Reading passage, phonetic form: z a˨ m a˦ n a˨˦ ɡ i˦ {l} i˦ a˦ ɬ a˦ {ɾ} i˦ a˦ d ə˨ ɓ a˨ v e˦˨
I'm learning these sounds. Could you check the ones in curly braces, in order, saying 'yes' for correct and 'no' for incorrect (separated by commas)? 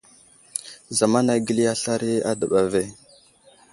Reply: yes, yes